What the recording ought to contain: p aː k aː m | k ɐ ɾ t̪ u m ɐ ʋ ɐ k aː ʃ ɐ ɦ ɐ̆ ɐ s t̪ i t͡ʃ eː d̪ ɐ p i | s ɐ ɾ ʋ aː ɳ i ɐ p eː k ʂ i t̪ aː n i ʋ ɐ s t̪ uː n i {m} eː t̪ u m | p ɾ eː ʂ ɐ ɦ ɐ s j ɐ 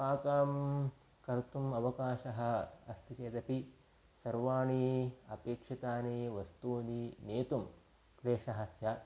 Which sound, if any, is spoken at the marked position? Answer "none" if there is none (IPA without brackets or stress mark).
n